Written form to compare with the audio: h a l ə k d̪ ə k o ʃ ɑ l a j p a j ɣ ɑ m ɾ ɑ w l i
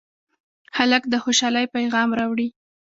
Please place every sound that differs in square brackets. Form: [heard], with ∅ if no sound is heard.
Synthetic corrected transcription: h a l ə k d̪ ə [x] o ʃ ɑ l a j p a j ɣ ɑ m ɾ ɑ w [ɽ] i